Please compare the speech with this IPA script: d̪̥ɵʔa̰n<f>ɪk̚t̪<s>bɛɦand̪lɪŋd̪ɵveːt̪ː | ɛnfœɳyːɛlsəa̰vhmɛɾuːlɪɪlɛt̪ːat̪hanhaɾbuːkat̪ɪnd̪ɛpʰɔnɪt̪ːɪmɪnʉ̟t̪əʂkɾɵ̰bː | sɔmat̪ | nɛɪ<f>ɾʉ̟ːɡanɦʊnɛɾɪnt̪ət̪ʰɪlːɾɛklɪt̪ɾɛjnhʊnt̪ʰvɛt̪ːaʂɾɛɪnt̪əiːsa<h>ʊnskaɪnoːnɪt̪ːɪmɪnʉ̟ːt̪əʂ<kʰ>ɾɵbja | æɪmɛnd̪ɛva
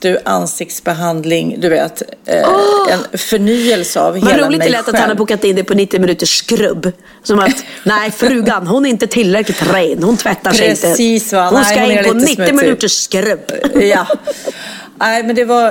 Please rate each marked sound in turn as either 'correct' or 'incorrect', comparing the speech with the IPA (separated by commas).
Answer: incorrect, correct, correct, correct, incorrect